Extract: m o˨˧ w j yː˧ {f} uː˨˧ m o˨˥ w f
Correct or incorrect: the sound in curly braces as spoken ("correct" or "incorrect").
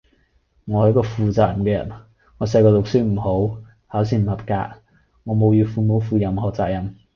correct